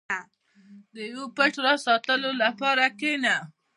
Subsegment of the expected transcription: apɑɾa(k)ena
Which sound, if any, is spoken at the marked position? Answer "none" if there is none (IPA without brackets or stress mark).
k